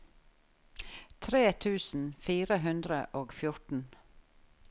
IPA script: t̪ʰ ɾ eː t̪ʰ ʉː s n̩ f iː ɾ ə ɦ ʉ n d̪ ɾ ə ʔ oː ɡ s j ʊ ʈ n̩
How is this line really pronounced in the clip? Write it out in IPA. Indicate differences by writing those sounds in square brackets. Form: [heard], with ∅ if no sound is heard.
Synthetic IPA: t̪ʰ ɾ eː t̪ʰ ʉː s n̩ f iː ɾ ə ɦ ʉ n d̪ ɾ ə ʔ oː ɡ [f] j ʊ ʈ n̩

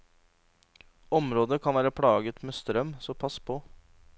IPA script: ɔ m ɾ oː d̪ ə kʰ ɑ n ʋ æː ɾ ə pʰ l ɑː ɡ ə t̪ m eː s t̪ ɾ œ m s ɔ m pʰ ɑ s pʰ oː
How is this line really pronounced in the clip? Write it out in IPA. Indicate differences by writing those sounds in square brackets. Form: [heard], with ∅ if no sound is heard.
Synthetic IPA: ɔ m ɾ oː d̪ ə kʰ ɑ n ʋ æː ɾ ə pʰ [ɽ] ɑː ɡ ə t̪ m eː s t̪ ɾ œ m s ɔ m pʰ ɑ s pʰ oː

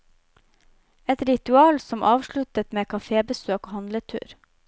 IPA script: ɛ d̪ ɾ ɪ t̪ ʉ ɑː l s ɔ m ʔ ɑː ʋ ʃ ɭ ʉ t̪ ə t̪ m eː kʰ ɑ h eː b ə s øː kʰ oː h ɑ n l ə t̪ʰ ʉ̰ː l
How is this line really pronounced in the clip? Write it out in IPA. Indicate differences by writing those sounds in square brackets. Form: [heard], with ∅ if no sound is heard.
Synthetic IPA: ɛ [t̪] ɾ ɪ t̪ ʉ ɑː l s ɔ m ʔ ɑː ʋ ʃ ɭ ʉ t̪ ə t̪ m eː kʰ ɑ [f] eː b ə s øː [k] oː h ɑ n l ə t̪ʰ ʉ̰ː [ɾ]

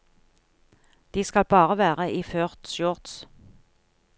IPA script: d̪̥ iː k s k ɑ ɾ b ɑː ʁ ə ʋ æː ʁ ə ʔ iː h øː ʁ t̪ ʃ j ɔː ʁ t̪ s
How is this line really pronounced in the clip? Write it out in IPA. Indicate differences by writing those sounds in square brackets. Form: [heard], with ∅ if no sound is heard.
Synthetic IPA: d̪̥ iː [∅] s k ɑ [l] b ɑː ʁ ə ʋ æː ʁ ə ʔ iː [f] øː ʁ t̪ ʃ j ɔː ʁ t̪ s

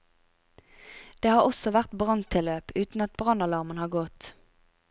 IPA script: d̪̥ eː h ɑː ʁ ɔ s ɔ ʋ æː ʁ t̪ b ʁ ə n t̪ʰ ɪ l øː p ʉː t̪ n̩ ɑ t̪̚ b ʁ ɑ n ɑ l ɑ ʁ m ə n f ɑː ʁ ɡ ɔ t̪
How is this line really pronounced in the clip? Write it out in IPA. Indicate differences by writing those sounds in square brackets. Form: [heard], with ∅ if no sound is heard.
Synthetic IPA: d̪̥ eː h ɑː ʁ ɔ s ɔ ʋ [æ] ʁ t̪ b ʁ [ɑ] n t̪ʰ ɪ l øː p ʉː t̪ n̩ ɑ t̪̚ b ʁ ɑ n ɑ l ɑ ʁ m ə n [h] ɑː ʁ ɡ ɔ t̪

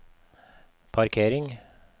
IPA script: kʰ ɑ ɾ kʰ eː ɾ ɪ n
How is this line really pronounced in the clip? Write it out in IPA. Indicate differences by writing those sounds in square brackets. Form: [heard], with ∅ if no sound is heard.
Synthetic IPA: [pʰ] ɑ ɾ kʰ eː ɾ ɪ [ŋ]

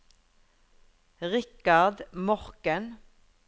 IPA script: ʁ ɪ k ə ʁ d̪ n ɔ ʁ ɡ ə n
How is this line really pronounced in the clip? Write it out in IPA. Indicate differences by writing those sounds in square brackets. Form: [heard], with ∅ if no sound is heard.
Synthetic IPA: ʁ ɪ k [ɑ] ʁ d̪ [m] ɔ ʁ [k] ə n

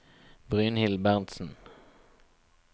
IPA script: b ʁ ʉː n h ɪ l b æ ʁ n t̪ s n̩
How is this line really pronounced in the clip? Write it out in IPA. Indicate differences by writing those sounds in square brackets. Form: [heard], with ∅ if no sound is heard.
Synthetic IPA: b ʁ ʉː n h ɪ l b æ ʁ n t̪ s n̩

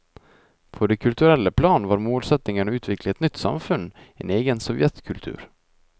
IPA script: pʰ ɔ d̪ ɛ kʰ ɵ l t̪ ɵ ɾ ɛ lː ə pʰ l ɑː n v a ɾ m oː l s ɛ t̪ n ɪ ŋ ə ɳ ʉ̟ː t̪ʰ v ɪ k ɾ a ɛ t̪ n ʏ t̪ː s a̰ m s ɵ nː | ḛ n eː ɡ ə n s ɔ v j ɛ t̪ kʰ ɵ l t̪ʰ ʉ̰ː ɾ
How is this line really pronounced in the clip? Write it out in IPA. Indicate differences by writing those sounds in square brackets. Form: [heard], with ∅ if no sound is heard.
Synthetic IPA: pʰ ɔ d̪ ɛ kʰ ɵ l t̪ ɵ ɾ ɛ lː ə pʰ l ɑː n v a ɾ m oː l s ɛ t̪ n ɪ ŋ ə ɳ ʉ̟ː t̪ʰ v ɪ k [l] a ɛ t̪ n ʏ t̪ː s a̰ m [f] ɵ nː | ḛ n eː ɡ ə n s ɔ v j ɛ t̪ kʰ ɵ l t̪ʰ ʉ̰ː ɾ

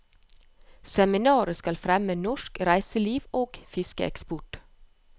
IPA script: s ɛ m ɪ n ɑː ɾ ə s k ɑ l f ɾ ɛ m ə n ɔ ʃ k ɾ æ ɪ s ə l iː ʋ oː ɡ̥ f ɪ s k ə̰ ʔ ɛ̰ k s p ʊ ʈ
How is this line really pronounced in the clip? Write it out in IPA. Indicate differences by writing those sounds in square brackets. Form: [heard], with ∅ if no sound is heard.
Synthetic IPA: s ɛ m ɪ n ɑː ɾ ə s k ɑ l f ɾ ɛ m ə n ɔ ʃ k ɾ æ ɪ s ə l iː ʋ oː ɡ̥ f ɪ s k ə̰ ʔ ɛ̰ k s p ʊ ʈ

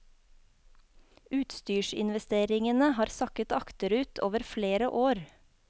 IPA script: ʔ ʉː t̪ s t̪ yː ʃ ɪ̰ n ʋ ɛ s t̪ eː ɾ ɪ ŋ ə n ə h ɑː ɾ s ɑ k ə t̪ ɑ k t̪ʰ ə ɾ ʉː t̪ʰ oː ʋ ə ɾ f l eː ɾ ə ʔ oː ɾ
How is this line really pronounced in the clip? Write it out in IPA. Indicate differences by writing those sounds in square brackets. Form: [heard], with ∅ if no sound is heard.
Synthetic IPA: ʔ ʉː t̪ s t̪ yː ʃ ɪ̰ n ʋ ɛ s t̪ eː ɾ ɪ ŋ ə n ə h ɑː ɾ s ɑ k ə t̪ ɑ k [t̪] ə ɾ ʉː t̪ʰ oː ʋ ə ɾ f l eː ɾ ə ʔ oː ɾ

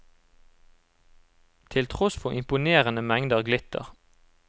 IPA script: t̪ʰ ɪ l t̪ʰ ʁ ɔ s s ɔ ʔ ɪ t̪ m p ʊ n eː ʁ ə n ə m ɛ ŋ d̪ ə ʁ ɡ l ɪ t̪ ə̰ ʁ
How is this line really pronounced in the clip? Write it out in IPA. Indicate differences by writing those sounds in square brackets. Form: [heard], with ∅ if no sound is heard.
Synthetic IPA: t̪ʰ ɪ l t̪ʰ ʁ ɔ s [f] ɔ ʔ ɪ [∅] m p ʊ n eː ʁ ə n ə m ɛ ŋ d̪ ə ʁ ɡ l ɪ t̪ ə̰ ʁ

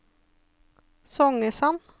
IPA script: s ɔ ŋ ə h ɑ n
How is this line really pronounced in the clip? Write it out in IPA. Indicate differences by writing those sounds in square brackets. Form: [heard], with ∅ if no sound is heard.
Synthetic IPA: s ɔ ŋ ə [s] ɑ n

